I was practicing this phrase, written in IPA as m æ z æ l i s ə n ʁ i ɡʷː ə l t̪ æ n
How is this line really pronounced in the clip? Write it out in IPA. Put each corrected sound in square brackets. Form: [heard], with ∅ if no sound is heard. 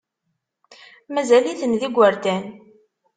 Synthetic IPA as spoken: m æ z æ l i [θ] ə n [ð] i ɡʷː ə [ɾ] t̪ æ n